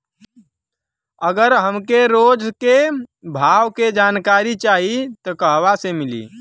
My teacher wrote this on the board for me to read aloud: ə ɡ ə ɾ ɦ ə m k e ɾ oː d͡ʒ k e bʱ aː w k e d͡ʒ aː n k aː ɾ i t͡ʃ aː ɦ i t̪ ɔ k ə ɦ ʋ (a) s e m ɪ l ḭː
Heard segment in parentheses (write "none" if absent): a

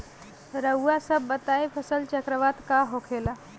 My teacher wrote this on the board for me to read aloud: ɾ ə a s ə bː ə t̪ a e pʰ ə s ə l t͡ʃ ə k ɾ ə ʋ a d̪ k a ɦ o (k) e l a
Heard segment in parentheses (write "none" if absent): kʰ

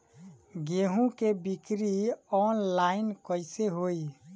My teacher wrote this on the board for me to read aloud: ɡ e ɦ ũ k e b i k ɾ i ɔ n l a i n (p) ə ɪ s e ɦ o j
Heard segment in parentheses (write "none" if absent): k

